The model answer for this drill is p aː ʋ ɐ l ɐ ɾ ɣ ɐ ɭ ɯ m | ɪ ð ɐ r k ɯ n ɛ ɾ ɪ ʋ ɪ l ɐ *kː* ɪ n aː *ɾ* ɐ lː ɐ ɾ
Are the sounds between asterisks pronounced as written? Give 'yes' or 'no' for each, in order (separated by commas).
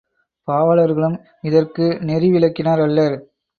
yes, yes